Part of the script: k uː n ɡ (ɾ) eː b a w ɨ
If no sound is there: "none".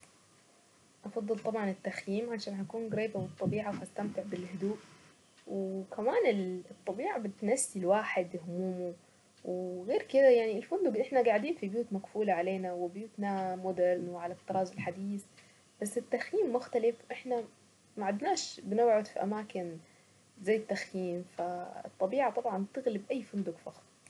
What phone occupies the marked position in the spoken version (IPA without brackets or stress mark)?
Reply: ɾ